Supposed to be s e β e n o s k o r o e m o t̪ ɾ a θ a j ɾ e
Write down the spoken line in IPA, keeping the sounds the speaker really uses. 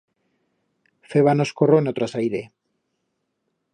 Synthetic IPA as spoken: f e β a n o s k o r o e n o t̪ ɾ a s a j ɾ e